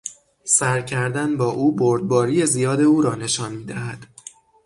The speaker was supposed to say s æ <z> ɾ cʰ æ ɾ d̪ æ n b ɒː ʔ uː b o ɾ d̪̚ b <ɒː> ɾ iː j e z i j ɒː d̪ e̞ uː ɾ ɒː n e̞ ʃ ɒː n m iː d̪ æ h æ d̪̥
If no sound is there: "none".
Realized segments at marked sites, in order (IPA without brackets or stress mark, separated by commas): none, ɒː